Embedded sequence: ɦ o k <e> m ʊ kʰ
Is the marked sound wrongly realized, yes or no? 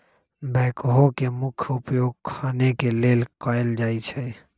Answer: no